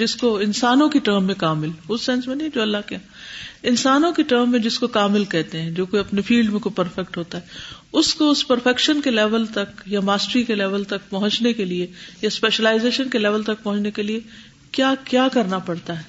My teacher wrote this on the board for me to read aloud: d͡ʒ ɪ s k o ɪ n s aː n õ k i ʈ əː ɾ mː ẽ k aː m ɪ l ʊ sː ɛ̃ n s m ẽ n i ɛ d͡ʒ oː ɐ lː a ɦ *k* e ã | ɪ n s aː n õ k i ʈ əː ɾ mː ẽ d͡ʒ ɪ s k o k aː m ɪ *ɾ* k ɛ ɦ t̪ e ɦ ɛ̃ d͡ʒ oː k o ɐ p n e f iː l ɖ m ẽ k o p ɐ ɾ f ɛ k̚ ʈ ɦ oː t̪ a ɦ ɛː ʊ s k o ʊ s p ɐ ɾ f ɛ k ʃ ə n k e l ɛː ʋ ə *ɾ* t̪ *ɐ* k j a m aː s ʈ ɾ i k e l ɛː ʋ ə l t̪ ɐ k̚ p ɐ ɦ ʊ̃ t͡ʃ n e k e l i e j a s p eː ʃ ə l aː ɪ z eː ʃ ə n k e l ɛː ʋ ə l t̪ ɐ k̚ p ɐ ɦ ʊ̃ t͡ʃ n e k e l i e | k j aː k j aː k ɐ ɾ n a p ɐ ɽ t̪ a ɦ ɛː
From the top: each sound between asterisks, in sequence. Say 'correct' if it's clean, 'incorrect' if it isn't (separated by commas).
correct, incorrect, incorrect, correct